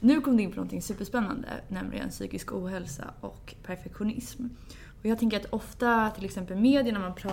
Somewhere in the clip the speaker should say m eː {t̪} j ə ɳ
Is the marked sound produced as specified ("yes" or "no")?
no